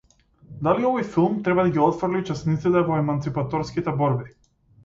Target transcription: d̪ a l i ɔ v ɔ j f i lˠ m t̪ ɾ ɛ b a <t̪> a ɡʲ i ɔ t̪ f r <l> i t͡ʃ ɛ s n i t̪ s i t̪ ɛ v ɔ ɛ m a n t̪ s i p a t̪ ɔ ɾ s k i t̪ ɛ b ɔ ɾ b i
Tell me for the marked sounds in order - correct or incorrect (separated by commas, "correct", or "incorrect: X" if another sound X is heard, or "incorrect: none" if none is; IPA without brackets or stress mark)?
incorrect: d̪, correct